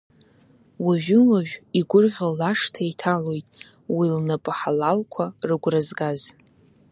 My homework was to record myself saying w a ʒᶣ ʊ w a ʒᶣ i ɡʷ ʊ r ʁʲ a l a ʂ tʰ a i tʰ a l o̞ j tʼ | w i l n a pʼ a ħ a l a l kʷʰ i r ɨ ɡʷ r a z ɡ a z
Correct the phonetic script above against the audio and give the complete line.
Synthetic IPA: w a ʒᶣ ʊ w a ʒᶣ i ɡʷ ʊ r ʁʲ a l a ʂ tʰ a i tʰ a l o̞ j tʼ | w i l n a pʼ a ħ a l a l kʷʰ a r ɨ ɡʷ r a z ɡ a z